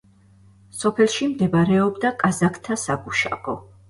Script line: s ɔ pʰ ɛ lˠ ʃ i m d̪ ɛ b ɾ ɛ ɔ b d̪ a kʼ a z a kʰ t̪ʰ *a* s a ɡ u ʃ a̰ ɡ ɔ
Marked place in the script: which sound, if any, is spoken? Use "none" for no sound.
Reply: a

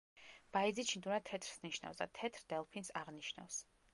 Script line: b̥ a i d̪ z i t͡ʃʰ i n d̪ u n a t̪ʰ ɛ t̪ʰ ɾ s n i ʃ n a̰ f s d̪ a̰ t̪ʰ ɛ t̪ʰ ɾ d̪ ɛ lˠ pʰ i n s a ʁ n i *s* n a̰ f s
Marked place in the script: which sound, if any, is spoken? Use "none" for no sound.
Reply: ʃ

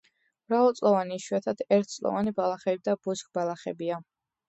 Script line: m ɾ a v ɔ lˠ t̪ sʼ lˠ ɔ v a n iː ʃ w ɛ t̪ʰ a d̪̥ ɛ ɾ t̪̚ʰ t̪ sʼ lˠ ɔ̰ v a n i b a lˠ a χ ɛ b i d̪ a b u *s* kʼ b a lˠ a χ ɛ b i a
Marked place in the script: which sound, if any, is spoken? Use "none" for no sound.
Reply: s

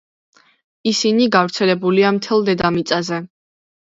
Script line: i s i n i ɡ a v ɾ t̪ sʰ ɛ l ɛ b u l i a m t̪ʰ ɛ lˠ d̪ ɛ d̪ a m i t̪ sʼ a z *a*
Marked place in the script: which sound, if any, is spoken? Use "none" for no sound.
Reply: ɛ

